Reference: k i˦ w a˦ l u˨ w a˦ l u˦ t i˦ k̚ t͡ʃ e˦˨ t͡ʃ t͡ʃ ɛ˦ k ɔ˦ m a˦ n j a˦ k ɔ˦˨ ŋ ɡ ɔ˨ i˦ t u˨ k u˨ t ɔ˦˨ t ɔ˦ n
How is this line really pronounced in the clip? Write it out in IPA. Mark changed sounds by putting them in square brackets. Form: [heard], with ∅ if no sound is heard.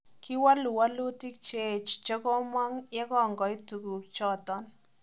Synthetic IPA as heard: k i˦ w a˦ l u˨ w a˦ l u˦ t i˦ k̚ t͡ʃ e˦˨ t͡ʃ t͡ʃ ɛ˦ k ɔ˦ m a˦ [ŋ] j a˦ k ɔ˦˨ ŋ ɡ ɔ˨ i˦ t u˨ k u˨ [t͡ʃ] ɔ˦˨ t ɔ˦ n